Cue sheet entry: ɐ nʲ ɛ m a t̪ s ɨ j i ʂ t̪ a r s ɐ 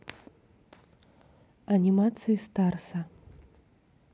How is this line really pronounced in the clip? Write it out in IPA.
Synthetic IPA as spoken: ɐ nʲ i m a t̪ s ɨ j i s t̪ a r s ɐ